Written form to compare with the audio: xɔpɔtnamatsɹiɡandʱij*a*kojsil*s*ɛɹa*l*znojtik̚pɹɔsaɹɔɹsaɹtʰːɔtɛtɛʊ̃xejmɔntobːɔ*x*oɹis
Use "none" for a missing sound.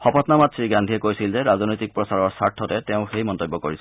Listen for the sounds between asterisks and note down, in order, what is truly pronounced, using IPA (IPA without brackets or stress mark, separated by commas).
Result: ɛ, z, none, k